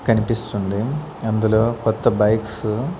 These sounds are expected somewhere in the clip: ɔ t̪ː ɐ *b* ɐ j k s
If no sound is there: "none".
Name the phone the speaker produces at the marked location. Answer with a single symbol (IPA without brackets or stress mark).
b